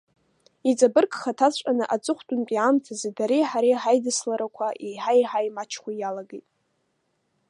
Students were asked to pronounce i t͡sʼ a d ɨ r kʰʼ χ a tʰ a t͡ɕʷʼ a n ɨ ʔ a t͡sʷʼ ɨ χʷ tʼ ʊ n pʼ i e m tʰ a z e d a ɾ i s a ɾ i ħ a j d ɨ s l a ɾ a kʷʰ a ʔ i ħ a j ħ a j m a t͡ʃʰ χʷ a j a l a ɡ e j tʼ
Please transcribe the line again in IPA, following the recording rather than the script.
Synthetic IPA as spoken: i t͡sʼ a b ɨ r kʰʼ χ a tʰ a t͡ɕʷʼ a n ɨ ʔ a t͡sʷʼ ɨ χʷ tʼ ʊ n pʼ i a m tʰ a z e d a ɾ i ħ a ɾ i ħ a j d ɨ s l a ɾ a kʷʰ a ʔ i ħ a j ħ a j m a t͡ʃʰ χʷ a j a l a ɡ e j tʼ

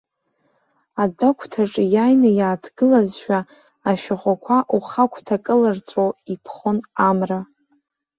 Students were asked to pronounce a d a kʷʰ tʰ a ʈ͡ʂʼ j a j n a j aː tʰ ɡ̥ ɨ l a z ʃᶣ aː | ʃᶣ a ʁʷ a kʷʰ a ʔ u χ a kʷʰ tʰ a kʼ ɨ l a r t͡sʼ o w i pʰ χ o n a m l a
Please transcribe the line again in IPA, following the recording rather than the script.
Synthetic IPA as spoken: a d a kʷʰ tʰ a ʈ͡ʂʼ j a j n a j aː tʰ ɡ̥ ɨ l a z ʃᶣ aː | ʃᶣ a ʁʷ a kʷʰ a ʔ u χ a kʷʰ tʰ a kʼ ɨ l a r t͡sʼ o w i pʰ χ o n a m r a

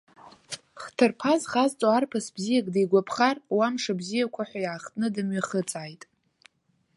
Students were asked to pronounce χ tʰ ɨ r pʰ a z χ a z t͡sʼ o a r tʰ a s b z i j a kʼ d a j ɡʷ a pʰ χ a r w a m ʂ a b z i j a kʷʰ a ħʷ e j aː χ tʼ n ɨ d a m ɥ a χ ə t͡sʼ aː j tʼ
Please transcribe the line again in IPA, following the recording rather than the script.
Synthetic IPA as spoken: χ tʰ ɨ r pʰ a z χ a z t͡sʼ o a r pʰ a s b z i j a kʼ d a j ɡʷ a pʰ χ a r w a m ʂ a b z i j a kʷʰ a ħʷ a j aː χ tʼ n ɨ d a m ɥ a χ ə t͡sʼ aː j tʼ

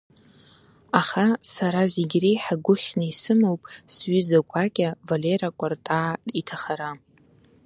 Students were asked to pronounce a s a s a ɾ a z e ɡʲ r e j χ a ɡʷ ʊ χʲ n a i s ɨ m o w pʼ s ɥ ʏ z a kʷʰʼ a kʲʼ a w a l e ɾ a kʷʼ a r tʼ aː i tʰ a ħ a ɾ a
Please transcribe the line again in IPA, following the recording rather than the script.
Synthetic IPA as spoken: a χ a s a ɾ a z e ɡʲ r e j ħ a ɡʷ ʊ χʲ n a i s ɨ m o w pʼ s ɥ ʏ z a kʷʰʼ a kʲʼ a v a l e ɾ a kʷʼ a r tʼ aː i tʰ a χ a ɾ a

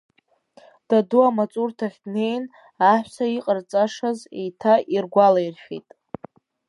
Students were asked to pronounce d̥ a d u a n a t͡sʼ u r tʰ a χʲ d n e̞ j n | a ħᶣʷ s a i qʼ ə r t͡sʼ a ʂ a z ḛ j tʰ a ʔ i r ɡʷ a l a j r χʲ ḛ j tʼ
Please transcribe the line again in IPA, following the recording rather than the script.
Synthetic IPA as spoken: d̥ a d u a m a t͡sʼ u r tʰ a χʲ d n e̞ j n | a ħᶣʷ s a i qʼ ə r t͡sʼ a ʂ a z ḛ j tʰ a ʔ i r ɡʷ a l a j r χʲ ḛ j tʼ

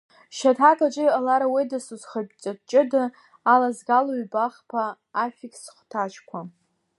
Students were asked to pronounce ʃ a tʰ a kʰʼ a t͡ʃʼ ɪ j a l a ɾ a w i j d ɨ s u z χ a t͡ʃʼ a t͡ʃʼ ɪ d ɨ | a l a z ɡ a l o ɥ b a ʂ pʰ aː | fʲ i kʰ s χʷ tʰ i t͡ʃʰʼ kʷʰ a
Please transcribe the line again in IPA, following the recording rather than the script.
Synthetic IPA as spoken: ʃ a tʰ a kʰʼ a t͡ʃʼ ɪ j a l a ɾ a w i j d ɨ s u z χ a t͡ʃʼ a t͡ʃʼ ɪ d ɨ | a l a z ɡ a l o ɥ b a χ pʰ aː | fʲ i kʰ s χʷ tʰ a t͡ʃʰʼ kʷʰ a

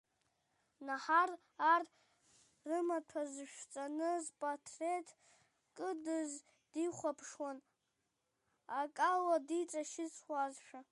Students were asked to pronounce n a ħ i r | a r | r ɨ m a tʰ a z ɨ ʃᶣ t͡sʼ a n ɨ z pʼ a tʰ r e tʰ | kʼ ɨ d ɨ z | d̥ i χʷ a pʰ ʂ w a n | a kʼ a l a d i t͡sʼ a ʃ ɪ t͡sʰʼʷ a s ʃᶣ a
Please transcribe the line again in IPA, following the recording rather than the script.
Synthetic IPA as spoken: n a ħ a r | a r | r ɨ m a tʰ a z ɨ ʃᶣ t͡sʼ a n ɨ z pʼ a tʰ r e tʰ | kʼ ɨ d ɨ z | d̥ i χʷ a pʰ ʂ w a n | a kʼ a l a d i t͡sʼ a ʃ ɪ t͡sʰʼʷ a z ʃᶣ a

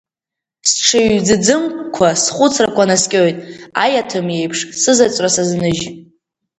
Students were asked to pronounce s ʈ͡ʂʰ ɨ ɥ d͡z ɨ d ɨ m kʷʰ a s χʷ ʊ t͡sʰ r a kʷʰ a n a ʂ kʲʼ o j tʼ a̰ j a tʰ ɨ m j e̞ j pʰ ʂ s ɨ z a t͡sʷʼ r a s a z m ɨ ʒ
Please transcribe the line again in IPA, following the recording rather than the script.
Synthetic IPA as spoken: s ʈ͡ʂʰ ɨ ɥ d͡z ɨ d͡z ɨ m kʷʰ a s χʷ ʊ t͡sʰ r a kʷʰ a n a s kʲʼ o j tʼ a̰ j a tʰ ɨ m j e̞ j pʰ ʂ s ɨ z a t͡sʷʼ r a s a z n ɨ ʒ

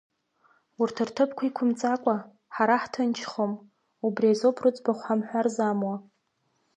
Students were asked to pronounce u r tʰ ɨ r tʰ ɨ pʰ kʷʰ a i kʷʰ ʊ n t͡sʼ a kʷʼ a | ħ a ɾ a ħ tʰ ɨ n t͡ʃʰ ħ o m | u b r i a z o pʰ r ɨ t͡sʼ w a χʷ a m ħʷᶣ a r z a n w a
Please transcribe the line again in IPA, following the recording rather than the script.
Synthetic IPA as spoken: u r tʰ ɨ r tʰ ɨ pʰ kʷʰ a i kʷʰ ʊ m t͡sʼ a kʷʼ a | ħ a ɾ a ħ tʰ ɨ n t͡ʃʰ χ o m | u b r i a z o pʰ r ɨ t͡sʼ b a χʷ a m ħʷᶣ a r z a m w a

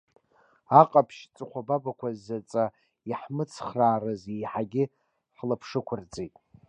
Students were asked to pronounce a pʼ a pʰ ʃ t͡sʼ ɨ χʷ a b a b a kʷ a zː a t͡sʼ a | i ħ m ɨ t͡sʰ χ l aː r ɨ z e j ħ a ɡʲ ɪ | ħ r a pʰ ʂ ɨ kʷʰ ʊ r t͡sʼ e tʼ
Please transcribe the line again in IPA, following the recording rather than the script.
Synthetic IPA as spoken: a qʼ a pʰ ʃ t͡sʼ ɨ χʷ a b a b a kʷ a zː a t͡sʼ a | i ħ m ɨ t͡sʰ χ r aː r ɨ z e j ħ a ɡʲ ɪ | ħ l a pʰ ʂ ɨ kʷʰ ʊ r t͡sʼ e tʼ

